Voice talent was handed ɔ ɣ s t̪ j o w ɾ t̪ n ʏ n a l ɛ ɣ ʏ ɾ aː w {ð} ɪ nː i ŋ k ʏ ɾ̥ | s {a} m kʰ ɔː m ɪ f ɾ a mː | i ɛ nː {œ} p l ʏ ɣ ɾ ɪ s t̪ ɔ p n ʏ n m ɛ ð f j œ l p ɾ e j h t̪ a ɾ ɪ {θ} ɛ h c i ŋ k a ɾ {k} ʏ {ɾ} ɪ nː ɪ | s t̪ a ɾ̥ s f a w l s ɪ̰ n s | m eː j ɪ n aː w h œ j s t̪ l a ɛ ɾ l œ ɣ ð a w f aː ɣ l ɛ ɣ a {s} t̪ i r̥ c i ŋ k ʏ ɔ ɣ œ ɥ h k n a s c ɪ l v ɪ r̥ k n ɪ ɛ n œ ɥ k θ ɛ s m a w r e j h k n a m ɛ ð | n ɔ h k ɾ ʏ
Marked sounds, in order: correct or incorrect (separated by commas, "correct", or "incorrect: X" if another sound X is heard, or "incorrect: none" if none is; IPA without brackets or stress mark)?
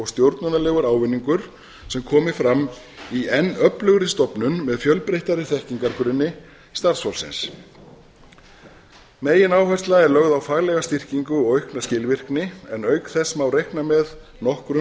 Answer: incorrect: v, incorrect: ɛ, correct, correct, correct, correct, correct